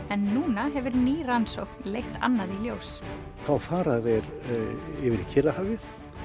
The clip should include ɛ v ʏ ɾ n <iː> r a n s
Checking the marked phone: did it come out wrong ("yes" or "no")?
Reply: no